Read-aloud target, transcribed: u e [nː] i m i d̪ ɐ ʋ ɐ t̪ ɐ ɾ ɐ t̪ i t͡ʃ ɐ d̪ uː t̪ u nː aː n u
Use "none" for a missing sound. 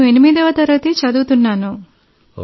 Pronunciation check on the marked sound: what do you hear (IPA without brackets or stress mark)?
n